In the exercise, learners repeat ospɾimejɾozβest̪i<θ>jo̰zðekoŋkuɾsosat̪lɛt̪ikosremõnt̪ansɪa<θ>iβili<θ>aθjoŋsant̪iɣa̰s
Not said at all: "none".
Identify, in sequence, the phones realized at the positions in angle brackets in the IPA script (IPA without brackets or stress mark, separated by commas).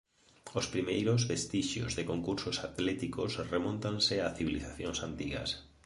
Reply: ʃ, θ, θ